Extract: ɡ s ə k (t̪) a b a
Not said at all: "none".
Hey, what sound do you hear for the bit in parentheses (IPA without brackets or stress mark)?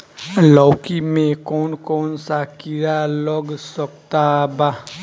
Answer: t̪